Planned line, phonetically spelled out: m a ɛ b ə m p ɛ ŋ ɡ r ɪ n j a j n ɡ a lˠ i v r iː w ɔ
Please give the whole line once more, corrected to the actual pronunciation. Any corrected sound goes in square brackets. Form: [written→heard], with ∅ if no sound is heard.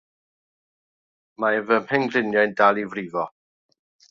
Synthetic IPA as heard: m a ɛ [b→v] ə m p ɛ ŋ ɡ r ɪ n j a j n [ɡ→d] a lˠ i v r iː [w→v] ɔ